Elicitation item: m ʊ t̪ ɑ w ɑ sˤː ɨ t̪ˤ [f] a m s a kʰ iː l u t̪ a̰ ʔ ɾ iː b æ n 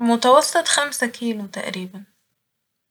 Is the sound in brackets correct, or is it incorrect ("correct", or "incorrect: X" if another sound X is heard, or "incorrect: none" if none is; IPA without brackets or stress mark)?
incorrect: x